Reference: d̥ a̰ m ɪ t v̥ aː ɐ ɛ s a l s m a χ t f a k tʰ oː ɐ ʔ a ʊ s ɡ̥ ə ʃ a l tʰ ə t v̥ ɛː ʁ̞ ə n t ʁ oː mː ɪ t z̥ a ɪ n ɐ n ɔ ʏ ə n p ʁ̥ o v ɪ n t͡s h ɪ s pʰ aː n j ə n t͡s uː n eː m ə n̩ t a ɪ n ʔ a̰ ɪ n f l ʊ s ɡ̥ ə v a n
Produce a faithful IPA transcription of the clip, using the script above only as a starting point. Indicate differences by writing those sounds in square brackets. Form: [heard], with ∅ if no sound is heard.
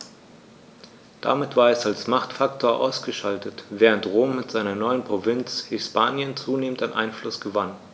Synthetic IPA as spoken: d̥ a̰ m ɪ t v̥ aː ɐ ɛ s a l s m a χ t f a k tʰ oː ɐ ʔ a ʊ s ɡ̥ ə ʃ a l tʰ ə t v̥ ɛː ʁ̞ ə n t ʁ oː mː ɪ t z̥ a ɪ n ɐ n ɔ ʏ ə n p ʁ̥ o v ɪ n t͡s h ɪ s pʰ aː n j ə n t͡s uː n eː m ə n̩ t a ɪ n ʔ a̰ ɪ n f l ʊ s ɡ̥ ə v a n